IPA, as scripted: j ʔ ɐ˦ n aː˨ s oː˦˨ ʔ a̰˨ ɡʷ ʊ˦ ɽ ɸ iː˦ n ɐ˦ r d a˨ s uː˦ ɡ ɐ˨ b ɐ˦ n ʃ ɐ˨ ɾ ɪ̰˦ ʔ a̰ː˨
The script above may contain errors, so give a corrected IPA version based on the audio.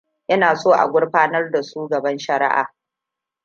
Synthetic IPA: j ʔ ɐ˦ n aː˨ s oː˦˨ ʔ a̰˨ ɡʷ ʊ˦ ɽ ɸ aː˦ n ɐ˦ r d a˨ s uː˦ ɡ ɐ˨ b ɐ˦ n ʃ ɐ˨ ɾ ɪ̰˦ ʔ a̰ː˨